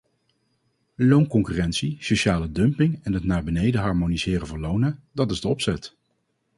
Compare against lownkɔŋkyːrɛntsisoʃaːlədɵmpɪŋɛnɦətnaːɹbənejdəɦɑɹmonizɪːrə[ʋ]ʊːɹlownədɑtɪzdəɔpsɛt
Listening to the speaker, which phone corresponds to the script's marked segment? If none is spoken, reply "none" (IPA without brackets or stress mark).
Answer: v